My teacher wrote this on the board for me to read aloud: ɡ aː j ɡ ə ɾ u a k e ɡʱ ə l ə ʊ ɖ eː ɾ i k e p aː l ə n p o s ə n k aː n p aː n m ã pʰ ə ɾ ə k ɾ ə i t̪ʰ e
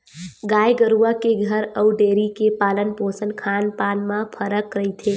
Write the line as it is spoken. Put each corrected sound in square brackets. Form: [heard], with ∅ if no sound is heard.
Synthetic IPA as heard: ɡ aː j ɡ ə ɾ u a k e ɡʱ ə [ɾ] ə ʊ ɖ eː ɾ i k e p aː l ə n p o s ə n [kʰ] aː n p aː n m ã pʰ ə ɾ ə k ɾ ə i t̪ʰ e

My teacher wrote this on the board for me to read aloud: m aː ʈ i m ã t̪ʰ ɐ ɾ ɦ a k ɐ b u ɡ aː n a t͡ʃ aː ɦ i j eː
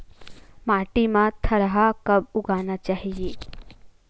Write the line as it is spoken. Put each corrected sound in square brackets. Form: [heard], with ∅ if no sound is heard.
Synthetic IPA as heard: m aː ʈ i m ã t̪ʰ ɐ ɾ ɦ a k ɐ b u ɡ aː n a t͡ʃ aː ɦ i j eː

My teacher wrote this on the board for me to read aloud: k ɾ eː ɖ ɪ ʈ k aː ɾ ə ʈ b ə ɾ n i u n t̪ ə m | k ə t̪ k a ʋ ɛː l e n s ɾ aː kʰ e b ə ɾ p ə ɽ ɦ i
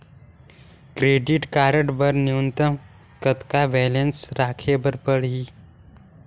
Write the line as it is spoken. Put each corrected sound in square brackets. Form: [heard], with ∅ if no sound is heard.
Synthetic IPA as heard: k ɾ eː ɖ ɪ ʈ k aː ɾ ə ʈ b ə ɾ n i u n t̪ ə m | k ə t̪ k a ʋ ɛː l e n s ɾ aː kʰ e b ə ɾ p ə ɽ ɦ i

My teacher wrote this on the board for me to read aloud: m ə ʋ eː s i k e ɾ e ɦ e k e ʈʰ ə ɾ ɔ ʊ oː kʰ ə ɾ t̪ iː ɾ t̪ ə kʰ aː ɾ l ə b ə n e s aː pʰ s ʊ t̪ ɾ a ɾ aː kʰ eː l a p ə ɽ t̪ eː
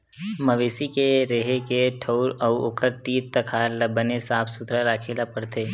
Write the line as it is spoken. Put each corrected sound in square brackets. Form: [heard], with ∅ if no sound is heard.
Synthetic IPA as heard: m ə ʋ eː s i k e ɾ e ɦ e k e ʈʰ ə ɾ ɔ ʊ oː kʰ ə ɾ t̪ iː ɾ t̪ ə kʰ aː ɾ l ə b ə n e s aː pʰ s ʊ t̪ ɾ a ɾ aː kʰ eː l a p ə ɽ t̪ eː

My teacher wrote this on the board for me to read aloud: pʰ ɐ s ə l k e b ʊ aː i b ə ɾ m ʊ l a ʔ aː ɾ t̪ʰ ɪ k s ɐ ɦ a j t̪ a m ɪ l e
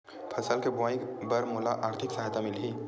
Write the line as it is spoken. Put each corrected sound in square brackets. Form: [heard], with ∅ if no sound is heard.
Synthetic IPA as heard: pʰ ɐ s ə l k e b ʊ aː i b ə ɾ m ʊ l a ʔ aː ɾ t̪ʰ ɪ k s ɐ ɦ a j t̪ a m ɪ l [i]

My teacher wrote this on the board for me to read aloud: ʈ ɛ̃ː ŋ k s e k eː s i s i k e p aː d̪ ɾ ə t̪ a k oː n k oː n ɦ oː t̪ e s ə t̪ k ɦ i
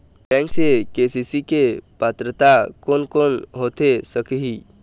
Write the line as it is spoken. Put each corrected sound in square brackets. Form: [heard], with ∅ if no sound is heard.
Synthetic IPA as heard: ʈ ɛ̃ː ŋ k s e k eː s i s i k e p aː [t̪] ɾ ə t̪ a k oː n k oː n ɦ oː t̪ e s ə [∅] k ɦ i

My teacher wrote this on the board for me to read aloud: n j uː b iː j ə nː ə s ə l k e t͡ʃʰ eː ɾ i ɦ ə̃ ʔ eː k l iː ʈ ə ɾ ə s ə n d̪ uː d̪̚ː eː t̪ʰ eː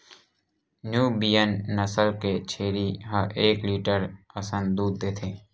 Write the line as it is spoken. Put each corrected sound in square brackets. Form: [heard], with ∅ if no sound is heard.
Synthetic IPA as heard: n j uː b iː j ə nː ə s ə l k e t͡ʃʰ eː ɾ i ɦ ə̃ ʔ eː k l iː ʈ ə ɾ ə s ə n d̪ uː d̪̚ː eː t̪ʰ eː

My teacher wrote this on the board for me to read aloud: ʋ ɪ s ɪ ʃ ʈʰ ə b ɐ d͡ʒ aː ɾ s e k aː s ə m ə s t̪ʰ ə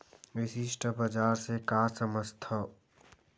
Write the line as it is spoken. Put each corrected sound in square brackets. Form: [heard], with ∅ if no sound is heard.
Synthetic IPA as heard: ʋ ɪ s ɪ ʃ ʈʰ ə b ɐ d͡ʒ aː ɾ s e k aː s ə m ə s t̪ʰ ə

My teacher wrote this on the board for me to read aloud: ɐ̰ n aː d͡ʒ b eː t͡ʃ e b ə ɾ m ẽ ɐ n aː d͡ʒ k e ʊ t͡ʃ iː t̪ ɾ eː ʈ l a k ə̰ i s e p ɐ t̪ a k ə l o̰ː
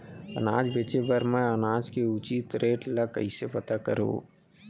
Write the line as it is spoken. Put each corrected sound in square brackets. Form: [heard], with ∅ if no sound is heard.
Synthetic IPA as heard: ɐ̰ n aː d͡ʒ b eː t͡ʃ e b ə ɾ m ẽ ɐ n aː d͡ʒ k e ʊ t͡ʃ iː t̪ ɾ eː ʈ l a k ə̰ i s e p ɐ t̪ a k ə [ɾ] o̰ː

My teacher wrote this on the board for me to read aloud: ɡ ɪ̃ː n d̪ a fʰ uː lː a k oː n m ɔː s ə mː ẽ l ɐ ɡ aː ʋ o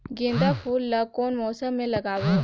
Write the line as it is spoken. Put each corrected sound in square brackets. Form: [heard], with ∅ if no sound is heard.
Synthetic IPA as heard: ɡ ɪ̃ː n d̪ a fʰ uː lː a k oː n m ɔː s ə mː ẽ l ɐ ɡ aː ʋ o

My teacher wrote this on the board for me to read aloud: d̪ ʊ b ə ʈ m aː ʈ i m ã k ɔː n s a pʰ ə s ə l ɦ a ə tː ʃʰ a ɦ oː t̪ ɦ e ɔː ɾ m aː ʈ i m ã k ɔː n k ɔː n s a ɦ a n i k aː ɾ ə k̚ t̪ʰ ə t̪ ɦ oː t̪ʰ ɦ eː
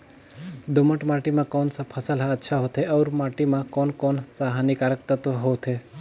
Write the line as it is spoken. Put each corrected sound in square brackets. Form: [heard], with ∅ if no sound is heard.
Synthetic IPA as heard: d̪ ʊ [m] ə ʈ m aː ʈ i m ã k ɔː n s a pʰ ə s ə l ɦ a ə tː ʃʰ a ɦ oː t̪ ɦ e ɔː ɾ m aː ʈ i m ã k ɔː n k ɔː n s a ɦ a n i k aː ɾ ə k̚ [t̪] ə t̪ ɦ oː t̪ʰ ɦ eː

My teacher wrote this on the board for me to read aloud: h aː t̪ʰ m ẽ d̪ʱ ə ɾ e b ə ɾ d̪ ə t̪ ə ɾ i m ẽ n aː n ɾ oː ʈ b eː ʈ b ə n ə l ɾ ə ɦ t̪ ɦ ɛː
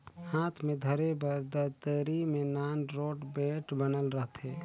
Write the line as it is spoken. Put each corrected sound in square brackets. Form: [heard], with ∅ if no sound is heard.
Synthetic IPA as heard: h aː t̪ʰ m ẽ d̪ʱ ə ɾ e b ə ɾ d̪ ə t̪ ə ɾ i m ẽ n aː n ɾ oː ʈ b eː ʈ b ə n ə l ɾ ə ɦ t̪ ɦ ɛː

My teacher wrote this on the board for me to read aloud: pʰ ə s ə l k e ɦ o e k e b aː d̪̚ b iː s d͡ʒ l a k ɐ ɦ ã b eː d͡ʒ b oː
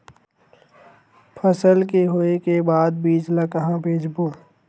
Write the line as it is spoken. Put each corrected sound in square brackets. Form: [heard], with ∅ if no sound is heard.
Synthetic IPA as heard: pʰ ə s ə l k e ɦ o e k e b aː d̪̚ b iː [∅] d͡ʒ l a k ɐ ɦ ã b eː d͡ʒ b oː

